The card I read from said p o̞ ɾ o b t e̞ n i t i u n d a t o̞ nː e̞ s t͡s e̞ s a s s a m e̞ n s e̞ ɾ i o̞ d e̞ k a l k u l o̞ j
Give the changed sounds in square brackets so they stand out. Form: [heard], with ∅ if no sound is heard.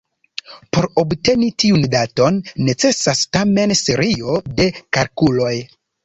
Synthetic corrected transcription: p o̞ ɾ o b t e̞ n i t i u n d a t o̞ nː e̞ [∅] t͡s e̞ s a s [t] a m e̞ n s e̞ ɾ i o̞ d e̞ k a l k u l o̞ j

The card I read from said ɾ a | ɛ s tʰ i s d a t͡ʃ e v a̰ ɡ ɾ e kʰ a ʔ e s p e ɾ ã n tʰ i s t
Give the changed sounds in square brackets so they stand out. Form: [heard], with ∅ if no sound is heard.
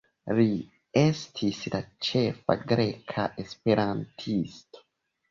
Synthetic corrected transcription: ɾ [i] | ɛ s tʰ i s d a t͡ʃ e [f] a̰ ɡ ɾ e kʰ a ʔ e s p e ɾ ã n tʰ i s t

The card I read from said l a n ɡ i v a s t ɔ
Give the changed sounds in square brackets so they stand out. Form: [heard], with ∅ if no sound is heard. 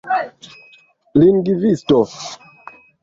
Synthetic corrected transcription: l [i] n ɡ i v [i] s t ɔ

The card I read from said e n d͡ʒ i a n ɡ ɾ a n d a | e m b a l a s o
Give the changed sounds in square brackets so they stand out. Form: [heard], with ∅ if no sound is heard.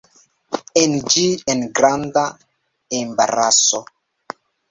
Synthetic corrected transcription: e n d͡ʒ i [e] n ɡ ɾ a n d a | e m b a [ɾ] a s o

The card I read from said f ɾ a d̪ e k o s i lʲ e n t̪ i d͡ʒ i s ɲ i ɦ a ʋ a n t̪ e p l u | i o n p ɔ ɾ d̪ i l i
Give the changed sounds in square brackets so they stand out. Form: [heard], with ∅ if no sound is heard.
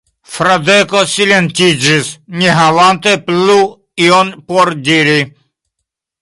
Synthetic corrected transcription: f ɾ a d̪ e k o s i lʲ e n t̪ i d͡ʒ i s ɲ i ɦ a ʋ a n t̪ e p l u | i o n p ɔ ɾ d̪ i [ɾ] i

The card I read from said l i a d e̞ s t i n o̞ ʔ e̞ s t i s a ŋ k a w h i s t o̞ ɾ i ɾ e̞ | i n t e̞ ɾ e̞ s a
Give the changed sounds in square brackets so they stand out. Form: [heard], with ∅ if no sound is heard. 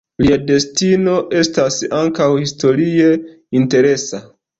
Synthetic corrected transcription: l i a d e̞ s t i n o̞ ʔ e̞ s t [a] s a ŋ k a w h i s t o̞ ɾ i [∅] e̞ | i n t e̞ ɾ e̞ s a

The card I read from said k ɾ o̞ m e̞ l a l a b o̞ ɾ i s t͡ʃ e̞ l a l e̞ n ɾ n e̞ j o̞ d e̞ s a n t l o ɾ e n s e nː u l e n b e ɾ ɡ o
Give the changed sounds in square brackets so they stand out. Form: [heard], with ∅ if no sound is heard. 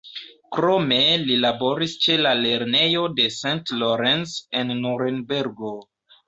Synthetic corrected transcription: k ɾ o̞ m e̞ l [i] l a b o̞ ɾ i s t͡ʃ e̞ l a l e̞ [∅] ɾ n e̞ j o̞ d e̞ s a n t l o ɾ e n s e nː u [ɾ] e n b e ɾ ɡ o

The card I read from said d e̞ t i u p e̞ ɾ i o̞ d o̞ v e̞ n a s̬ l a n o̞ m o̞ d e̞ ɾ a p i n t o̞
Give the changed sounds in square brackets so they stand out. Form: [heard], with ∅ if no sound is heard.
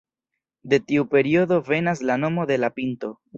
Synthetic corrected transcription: d e̞ t i u p e̞ ɾ i o̞ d o̞ v e̞ n a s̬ l a n o̞ m o̞ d e̞ [l] a p i n t o̞

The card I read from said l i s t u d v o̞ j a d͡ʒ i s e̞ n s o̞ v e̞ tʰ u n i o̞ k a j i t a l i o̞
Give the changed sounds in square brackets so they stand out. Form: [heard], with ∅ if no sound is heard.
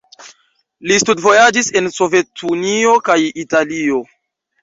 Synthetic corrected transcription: l i s t u d v o̞ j a d͡ʒ i s e̞ n s o̞ v e̞ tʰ u n i o̞ k a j i t a l i o̞

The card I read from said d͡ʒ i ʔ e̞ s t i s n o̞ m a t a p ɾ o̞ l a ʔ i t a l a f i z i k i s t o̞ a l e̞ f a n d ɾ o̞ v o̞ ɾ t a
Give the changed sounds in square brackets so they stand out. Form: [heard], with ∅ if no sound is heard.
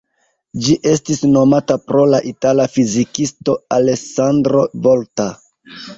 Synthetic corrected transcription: d͡ʒ i ʔ e̞ s t i s n o̞ m a t a p ɾ o̞ l a ʔ i t a l a f i z i k i s t o̞ a l e̞ [s] a n d ɾ o̞ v o̞ [l] t a

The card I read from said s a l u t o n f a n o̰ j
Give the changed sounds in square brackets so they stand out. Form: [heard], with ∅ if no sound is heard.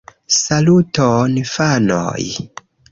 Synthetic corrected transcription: s a l u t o n f a n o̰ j

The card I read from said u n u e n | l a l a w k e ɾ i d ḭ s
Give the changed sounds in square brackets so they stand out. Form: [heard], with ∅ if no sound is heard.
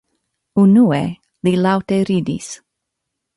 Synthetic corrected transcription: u n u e [∅] | l [i] l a w [t] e ɾ i d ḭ s

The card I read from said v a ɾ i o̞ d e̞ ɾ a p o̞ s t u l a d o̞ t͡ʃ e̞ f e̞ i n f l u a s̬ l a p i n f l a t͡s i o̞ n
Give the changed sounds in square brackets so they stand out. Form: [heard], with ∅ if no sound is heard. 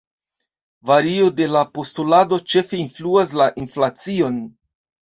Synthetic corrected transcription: v a ɾ i o̞ d e̞ [l] a p o̞ s t u l a d o̞ t͡ʃ e̞ f e̞ i n f l u a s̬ l a [ʔ] i n f l a t͡s i o̞ n

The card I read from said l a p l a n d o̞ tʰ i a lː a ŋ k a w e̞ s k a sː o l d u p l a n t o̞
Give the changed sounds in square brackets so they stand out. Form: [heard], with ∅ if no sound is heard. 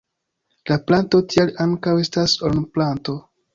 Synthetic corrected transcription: l a p l a n [t] o̞ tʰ i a [l] a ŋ k a w e̞ s [t] a [s] o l [n] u p l a n t o̞

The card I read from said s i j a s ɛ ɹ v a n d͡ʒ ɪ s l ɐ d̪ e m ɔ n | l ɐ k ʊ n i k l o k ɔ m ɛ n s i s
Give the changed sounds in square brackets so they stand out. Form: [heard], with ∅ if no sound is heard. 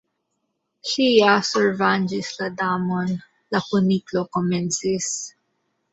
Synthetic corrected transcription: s i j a s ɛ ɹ v a n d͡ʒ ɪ s l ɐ d̪ [a] m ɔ n | l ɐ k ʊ n i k l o k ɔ m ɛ n s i s

